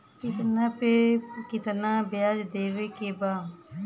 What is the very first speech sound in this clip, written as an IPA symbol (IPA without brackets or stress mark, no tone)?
k